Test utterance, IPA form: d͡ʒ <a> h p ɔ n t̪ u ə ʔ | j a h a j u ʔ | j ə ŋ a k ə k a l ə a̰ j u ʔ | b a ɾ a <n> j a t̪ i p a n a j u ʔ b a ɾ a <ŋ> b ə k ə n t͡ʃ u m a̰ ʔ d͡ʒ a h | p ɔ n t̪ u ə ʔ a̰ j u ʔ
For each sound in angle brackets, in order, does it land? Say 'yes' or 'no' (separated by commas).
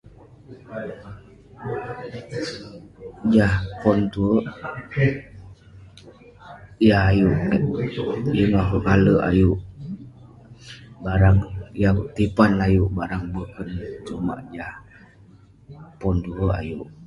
yes, no, yes